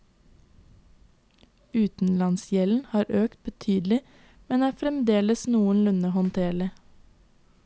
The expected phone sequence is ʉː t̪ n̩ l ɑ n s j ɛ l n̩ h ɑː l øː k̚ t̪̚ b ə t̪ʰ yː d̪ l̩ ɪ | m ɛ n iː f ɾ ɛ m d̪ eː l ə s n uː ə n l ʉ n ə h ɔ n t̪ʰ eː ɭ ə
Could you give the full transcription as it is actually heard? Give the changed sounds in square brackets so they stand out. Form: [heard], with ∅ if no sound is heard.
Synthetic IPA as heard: ʉː t̪ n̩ l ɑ n s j ɛ l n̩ h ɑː [ɾ] øː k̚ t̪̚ b ə t̪ʰ yː d̪ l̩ ɪ | m ɛ n [æː] f ɾ ɛ m d̪ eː l ə s n uː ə n l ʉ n ə h ɔ n t̪ʰ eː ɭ ə